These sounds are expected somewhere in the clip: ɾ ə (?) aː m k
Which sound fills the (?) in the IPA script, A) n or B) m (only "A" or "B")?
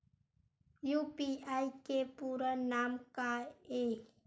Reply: A